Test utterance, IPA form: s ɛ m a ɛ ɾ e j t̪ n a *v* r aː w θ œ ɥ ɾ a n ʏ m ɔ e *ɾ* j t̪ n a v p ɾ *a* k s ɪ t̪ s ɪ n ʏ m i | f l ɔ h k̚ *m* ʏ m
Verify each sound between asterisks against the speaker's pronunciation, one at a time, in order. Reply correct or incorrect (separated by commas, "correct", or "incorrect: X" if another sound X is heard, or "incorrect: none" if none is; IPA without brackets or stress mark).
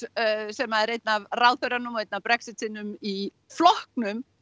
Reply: correct, incorrect: none, incorrect: ɛ, incorrect: n